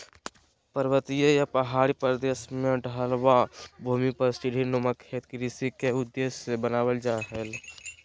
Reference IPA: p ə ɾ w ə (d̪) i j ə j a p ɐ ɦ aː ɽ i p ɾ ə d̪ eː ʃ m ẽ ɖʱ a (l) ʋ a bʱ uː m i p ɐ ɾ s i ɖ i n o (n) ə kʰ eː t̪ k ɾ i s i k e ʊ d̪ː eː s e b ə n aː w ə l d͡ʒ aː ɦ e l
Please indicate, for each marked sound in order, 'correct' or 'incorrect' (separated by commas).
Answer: incorrect, correct, incorrect